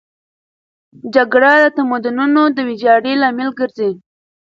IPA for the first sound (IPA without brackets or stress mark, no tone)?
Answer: d͡ʒ